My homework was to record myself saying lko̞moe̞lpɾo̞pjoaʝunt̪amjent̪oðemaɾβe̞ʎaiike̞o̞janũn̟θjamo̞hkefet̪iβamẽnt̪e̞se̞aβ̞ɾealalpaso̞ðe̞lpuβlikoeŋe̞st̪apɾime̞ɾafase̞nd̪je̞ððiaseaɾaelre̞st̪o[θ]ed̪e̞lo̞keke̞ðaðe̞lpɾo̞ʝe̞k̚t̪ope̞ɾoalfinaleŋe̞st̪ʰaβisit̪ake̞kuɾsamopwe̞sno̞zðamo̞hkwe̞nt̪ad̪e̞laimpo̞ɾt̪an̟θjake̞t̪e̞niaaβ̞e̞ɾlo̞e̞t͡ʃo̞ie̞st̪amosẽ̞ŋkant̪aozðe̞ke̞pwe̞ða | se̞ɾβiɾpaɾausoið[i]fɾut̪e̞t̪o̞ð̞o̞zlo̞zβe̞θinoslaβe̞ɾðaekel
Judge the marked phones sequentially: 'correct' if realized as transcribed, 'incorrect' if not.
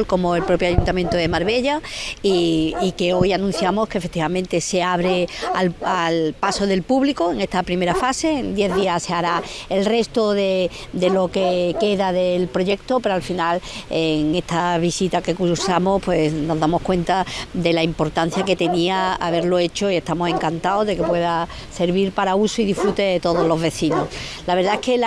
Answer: incorrect: ð, correct

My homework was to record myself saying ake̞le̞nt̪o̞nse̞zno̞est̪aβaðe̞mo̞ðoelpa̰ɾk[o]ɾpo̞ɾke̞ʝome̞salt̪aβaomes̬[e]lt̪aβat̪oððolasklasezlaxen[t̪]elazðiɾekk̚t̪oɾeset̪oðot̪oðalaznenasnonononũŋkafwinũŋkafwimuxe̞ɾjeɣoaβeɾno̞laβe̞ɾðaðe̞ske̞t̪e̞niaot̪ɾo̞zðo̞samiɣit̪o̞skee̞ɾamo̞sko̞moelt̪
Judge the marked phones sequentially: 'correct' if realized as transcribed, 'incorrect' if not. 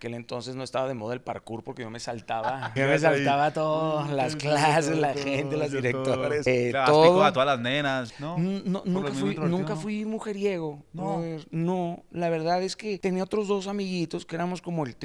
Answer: incorrect: u, incorrect: a, correct

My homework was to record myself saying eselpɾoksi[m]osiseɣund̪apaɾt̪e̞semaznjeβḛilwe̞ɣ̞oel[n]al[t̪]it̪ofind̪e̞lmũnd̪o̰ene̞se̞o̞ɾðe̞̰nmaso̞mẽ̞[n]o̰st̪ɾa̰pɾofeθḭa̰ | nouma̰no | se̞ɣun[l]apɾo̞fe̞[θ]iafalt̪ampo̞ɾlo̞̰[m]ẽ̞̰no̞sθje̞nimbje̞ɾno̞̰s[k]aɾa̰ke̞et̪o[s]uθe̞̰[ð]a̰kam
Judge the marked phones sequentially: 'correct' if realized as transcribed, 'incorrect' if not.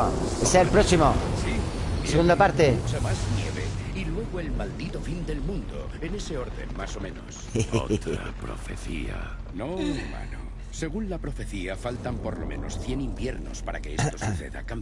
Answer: correct, incorrect: m, incorrect: d̪, correct, correct, correct, correct, incorrect: p, correct, correct

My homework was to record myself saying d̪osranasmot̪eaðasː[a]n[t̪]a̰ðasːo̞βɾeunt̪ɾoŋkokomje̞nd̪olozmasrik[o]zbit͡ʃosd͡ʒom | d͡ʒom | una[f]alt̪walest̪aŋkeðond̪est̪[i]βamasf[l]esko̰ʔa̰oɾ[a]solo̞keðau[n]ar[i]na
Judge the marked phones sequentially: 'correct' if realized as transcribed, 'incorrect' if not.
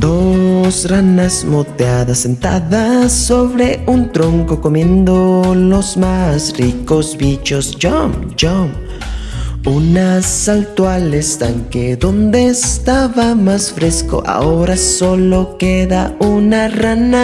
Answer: incorrect: e, correct, correct, incorrect: s, incorrect: a, incorrect: ɾ, correct, correct, incorrect: a

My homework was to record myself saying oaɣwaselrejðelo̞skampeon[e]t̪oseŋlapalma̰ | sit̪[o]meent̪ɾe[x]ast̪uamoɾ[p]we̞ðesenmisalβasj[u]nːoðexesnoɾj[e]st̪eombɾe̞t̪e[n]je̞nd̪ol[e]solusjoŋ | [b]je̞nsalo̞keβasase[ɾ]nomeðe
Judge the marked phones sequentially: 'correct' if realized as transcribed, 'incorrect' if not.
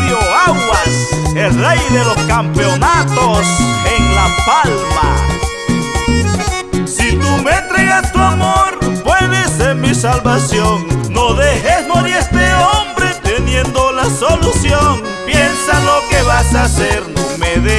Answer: incorrect: a, incorrect: u, incorrect: ɣ, correct, incorrect: o, correct, correct, incorrect: a, incorrect: p, correct

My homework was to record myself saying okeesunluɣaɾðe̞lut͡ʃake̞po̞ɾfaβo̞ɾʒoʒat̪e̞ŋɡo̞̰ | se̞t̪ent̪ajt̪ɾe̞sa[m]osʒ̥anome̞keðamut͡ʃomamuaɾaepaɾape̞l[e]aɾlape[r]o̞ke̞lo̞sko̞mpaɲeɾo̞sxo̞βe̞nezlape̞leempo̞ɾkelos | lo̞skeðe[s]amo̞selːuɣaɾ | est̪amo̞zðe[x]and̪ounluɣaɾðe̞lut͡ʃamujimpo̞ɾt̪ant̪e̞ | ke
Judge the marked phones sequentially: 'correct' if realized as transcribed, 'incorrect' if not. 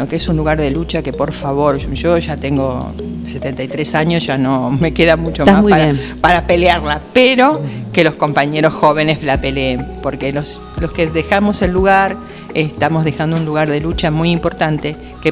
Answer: incorrect: ɲ, correct, incorrect: ɾ, incorrect: x, correct

